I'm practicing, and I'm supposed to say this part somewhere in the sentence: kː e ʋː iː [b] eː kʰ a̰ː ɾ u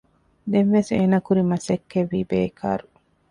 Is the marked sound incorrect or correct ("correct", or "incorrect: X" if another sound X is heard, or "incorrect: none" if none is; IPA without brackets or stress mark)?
correct